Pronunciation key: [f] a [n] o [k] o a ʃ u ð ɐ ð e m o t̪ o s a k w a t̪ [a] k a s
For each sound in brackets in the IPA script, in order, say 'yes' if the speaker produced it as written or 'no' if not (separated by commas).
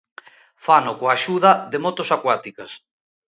yes, yes, yes, no